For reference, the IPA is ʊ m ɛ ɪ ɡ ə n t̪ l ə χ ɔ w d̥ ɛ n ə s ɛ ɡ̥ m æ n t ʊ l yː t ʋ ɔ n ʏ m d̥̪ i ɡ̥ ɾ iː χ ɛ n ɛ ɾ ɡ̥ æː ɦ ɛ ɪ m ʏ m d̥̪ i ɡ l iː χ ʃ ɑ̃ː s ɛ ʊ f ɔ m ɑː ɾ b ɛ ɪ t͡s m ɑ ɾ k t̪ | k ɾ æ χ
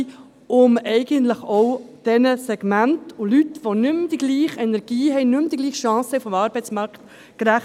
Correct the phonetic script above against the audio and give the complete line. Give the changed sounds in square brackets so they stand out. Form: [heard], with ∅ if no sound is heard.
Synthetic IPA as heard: ʊ m ɛ ɪ ɡ ə n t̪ l ə χ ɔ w d̥ ɛ n ə s ɛ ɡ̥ m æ n t ʊ l [y] t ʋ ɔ n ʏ m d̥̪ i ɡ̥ [l] iː χ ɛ n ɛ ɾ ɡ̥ [iː] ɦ ɛ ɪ [n] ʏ m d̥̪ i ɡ l iː χ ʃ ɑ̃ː s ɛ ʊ f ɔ m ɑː ɾ b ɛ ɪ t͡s m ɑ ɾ k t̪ | k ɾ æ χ